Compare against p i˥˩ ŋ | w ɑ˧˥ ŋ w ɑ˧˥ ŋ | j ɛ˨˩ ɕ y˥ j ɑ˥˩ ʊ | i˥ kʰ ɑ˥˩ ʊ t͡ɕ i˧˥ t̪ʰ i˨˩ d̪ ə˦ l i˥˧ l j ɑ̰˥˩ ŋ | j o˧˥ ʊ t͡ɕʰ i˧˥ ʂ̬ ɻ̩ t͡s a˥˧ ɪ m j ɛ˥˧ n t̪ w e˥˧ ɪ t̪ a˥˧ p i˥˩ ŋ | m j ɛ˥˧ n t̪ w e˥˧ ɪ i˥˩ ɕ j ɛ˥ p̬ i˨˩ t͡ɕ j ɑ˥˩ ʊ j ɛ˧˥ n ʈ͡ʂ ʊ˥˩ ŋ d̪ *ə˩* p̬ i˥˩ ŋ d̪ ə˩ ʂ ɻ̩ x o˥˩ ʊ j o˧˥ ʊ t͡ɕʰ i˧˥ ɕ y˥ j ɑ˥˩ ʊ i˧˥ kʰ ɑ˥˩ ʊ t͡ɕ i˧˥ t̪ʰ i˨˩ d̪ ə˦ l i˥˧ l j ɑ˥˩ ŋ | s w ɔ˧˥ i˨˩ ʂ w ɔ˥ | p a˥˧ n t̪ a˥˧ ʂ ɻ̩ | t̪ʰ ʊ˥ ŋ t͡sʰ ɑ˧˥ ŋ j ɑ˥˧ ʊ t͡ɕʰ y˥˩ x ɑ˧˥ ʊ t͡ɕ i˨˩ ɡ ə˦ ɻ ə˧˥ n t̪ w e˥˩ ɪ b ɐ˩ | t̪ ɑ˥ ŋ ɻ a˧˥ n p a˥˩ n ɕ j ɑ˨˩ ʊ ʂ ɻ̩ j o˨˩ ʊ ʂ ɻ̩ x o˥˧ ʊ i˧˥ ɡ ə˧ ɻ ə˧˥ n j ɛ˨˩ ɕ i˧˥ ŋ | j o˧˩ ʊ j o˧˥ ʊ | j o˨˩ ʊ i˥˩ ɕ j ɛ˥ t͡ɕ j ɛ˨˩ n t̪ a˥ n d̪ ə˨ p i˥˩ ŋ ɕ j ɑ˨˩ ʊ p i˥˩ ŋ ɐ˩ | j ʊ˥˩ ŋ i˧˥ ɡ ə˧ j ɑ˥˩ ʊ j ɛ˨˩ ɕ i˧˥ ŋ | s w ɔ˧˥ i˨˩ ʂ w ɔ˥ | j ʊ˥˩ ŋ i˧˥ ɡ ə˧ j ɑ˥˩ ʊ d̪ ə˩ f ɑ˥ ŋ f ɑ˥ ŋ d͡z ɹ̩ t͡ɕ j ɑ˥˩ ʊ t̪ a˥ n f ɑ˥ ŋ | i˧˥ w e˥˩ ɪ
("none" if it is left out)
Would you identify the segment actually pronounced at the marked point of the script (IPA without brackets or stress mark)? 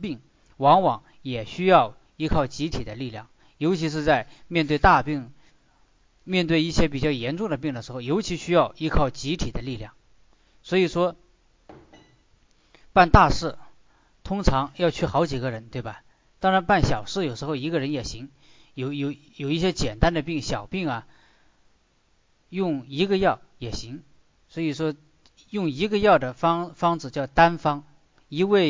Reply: ə˩